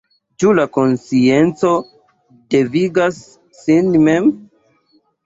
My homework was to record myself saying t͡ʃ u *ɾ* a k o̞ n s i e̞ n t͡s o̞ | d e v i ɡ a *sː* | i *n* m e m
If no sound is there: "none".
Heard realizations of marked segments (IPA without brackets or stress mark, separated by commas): l, sː, n